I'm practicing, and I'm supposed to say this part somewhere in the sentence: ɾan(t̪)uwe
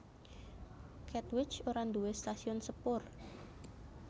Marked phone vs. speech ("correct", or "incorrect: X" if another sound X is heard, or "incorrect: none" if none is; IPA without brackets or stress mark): incorrect: d̪